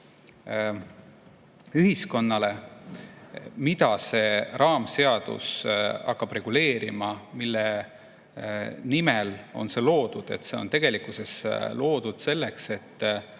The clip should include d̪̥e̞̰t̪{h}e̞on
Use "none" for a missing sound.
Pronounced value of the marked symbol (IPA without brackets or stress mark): s